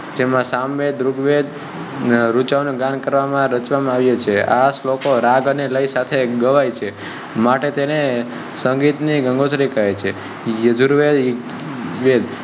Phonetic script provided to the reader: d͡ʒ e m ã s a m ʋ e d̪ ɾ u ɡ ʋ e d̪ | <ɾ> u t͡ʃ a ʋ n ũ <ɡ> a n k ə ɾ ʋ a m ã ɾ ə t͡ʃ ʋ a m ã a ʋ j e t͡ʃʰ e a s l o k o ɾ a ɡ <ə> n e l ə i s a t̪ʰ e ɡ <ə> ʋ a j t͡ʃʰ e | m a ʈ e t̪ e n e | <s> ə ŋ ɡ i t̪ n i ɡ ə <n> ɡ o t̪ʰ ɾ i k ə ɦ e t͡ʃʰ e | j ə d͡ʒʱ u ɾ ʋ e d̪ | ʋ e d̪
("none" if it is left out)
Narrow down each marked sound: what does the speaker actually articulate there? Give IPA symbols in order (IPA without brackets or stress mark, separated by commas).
ɾ, ɡ, ə, ə, s, ŋ